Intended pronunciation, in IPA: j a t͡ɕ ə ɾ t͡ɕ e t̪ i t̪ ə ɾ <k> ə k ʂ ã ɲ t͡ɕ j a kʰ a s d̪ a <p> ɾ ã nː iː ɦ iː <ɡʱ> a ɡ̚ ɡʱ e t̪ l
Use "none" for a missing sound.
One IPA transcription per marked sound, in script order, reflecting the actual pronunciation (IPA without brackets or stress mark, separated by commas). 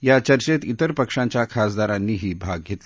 p, none, bʱ